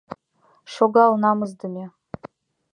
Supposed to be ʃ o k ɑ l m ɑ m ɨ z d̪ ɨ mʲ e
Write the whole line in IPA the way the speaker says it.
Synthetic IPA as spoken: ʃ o ɡ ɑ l n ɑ m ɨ z d̪ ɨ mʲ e